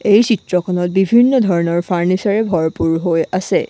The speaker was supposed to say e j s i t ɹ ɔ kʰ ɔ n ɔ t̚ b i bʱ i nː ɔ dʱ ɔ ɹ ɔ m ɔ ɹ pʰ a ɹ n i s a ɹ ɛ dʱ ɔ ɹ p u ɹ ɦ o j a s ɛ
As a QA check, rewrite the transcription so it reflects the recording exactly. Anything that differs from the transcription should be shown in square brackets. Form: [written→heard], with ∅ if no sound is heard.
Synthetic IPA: e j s i t ɹ ɔ kʰ ɔ n ɔ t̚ b i bʱ i nː ɔ dʱ ɔ ɹ ɔ [m→n] ɔ ɹ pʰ a ɹ n i s a ɹ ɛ [dʱ→bʱ] ɔ ɹ p u ɹ ɦ o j a s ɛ

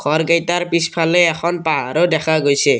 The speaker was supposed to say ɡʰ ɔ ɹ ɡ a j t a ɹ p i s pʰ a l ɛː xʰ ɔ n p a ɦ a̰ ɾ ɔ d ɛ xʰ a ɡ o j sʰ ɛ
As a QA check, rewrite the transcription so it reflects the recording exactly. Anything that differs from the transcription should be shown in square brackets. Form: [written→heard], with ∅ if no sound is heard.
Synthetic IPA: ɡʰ ɔ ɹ ɡ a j t a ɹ p i s pʰ a l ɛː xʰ ɔ n p a ɦ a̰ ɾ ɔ d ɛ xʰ a ɡ o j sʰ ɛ

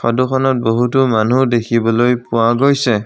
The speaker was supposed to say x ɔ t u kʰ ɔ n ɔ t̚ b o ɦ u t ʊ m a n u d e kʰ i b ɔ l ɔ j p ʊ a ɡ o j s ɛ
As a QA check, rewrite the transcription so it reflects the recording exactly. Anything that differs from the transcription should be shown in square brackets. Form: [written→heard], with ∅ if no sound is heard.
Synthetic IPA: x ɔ [t→d] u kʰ ɔ n ɔ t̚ b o ɦ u t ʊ m a n u d e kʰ i b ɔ l [ɔ→o] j p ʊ a ɡ o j s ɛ

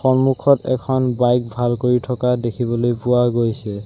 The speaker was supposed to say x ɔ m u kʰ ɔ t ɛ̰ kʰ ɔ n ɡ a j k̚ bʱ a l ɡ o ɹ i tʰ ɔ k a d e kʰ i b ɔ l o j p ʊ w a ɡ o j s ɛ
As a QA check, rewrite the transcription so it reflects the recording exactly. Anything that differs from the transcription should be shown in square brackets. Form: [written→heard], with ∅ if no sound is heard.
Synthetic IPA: x ɔ m u kʰ ɔ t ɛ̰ kʰ ɔ n [ɡ→b] a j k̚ bʱ a l [ɡ→k] o ɹ i tʰ ɔ k a d e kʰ i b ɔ l o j p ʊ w a ɡ o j s ɛ

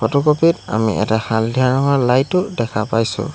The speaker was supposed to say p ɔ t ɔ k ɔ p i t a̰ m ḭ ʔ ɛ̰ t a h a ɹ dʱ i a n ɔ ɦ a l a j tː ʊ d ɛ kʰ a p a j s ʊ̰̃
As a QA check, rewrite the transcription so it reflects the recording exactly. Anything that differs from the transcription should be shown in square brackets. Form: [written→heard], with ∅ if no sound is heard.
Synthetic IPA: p ɔ t ɔ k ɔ p i t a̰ m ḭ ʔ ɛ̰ t a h a [ɹ→l] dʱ i a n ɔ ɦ a l a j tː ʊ d ɛ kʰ a p a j s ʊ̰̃

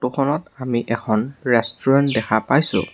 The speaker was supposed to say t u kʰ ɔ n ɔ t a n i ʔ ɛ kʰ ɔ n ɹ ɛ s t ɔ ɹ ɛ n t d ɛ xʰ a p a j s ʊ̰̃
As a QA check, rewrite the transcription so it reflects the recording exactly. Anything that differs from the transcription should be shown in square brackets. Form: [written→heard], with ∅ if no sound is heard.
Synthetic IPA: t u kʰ ɔ n ɔ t a [n→m] i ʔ ɛ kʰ ɔ n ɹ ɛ s t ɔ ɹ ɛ n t d ɛ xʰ a p a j s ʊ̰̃

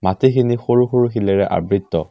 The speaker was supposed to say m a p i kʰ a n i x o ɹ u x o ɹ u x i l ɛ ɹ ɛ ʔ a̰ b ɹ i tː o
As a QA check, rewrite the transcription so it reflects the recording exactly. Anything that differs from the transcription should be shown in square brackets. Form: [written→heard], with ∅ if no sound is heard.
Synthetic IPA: m a [p→t] i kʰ [a→i] n i x o ɹ u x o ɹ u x i l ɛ ɹ ɛ ʔ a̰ b ɹ i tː [o→ɔ]

